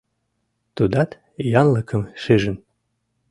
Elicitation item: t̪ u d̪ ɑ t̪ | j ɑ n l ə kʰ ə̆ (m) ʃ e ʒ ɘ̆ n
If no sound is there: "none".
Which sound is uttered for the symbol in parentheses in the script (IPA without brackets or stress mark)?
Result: m